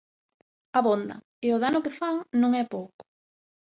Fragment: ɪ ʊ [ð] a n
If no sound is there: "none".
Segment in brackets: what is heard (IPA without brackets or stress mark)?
ð